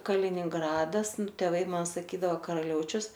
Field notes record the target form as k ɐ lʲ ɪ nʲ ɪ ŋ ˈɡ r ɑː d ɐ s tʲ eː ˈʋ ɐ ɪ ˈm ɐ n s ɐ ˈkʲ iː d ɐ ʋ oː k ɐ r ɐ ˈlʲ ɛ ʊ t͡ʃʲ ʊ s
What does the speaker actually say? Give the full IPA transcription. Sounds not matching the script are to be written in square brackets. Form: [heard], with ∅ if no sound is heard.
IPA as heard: k ɐ lʲ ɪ nʲ ɪ ŋ ˈɡ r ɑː d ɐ s tʲ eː ˈʋ ɐ ɪ ˈm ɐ n s ɐ ˈkʲ iː d ɐ ʋ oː k ɐ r ɐ ˈlʲ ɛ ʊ t͡ʃʲ ʊ s